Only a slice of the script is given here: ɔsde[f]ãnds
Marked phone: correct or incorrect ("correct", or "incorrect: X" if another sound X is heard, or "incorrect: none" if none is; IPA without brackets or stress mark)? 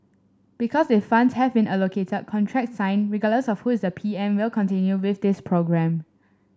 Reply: correct